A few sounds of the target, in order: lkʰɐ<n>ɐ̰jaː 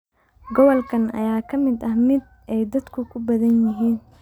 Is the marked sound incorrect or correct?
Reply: correct